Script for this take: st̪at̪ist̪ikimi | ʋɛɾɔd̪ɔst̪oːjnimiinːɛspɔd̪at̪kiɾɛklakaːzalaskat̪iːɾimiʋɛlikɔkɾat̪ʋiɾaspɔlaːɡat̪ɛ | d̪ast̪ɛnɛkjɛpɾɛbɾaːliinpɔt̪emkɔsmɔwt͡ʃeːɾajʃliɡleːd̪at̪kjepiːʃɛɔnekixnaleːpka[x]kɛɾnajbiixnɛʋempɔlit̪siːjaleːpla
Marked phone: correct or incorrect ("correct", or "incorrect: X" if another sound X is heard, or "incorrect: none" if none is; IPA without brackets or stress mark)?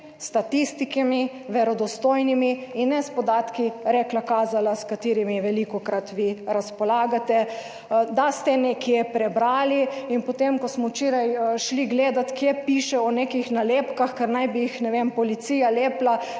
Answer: correct